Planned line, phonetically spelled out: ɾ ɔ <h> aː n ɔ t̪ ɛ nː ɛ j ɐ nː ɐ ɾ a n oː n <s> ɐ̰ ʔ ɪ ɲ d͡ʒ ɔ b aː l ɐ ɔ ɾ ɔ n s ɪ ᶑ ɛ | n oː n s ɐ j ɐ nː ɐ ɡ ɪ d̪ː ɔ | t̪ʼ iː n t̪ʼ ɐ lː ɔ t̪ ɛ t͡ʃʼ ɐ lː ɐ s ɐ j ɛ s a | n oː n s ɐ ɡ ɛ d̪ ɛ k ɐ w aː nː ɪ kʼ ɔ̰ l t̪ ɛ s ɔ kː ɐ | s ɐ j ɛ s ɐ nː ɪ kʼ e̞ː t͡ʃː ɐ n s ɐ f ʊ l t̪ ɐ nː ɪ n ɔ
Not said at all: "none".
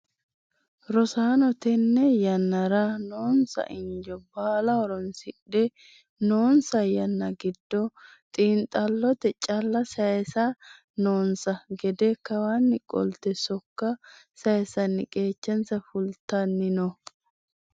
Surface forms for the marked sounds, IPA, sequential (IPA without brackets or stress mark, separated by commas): s, s